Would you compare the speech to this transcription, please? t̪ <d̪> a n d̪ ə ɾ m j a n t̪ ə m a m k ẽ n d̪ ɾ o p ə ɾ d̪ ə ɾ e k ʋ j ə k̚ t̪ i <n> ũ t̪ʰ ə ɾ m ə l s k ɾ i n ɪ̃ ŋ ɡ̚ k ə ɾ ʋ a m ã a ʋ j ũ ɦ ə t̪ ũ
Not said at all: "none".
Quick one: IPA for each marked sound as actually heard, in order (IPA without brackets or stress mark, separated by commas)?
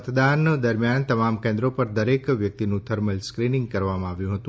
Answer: d̪, n